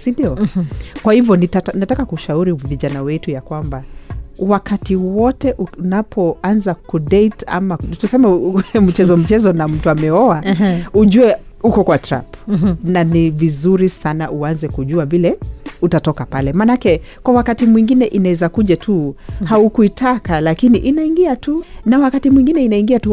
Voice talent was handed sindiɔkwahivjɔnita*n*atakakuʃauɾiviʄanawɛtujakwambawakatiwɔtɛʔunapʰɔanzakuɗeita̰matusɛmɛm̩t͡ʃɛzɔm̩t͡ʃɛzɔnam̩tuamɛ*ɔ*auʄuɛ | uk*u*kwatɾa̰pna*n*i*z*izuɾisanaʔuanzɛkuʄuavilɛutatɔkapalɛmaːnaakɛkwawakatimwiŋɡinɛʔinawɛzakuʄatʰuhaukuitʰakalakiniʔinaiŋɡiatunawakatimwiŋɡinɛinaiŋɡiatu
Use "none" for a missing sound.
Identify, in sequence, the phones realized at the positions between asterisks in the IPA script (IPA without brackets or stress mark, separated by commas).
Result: n, ɔ, ɔ, n, v